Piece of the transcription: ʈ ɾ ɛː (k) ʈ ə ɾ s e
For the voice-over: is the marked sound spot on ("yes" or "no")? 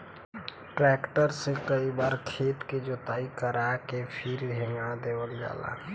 yes